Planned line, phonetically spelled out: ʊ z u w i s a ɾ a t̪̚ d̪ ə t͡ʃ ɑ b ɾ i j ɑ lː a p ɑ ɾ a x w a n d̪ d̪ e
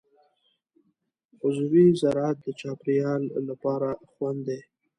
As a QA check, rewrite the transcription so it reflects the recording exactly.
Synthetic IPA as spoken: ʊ z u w i z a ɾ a t̪̚ d̪ ə t͡ʃ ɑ p ɾ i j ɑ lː a p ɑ ɾ a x w a n d̪ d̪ e